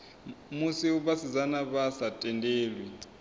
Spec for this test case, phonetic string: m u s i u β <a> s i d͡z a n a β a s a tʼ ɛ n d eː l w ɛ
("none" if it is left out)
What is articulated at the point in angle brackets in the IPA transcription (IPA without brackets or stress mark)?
a